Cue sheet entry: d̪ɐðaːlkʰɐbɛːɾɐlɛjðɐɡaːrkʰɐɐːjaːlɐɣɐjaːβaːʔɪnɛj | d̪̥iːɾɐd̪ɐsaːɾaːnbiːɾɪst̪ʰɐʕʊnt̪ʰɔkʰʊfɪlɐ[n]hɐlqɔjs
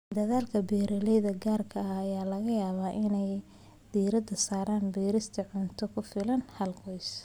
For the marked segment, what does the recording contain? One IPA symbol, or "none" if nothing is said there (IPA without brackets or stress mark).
n